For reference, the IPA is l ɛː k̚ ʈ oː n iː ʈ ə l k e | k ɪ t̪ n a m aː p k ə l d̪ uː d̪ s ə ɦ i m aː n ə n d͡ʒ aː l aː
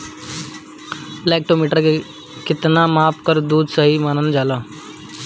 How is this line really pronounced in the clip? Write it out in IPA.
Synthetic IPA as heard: l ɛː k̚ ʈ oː m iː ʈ ə ɾ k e | k ɪ t̪ n a m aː p k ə ɾ d̪ uː d̪ s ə ɦ i m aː n ə n d͡ʒ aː l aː